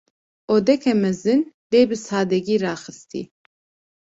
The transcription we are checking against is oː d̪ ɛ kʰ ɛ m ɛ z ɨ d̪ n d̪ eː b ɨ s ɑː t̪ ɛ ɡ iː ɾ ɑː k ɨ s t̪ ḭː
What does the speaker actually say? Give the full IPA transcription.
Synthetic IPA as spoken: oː d̪ ɛ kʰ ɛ m ɛ z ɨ n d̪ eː b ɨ s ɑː d̪ ɛ ɡ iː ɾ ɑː x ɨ s t̪ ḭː